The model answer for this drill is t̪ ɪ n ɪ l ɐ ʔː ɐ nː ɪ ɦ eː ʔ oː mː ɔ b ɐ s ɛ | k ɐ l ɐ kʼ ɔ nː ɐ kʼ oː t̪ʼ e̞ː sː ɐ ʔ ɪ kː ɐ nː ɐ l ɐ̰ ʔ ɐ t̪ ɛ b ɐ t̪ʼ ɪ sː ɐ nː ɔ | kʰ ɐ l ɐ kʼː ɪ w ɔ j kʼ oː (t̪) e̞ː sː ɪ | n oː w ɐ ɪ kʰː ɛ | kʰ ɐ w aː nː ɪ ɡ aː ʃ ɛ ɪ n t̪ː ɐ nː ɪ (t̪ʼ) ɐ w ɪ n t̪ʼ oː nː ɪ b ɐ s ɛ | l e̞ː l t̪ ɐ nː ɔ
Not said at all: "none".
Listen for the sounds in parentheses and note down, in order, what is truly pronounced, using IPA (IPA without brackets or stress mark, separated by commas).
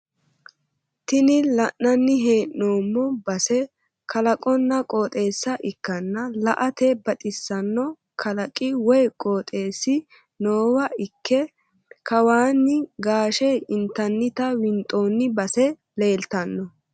t̪ʼ, t̪